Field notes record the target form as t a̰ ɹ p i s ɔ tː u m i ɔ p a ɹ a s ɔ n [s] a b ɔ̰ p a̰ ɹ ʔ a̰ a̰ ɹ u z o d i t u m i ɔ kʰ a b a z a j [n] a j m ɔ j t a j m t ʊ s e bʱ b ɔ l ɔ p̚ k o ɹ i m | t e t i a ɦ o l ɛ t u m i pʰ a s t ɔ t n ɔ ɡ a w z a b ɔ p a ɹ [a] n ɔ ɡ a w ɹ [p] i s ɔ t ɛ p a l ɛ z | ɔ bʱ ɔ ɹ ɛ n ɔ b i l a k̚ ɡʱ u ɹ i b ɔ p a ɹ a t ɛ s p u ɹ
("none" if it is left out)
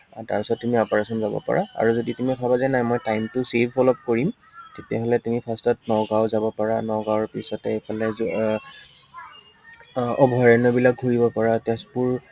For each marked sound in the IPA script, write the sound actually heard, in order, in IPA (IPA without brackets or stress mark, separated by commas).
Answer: z, n, a, p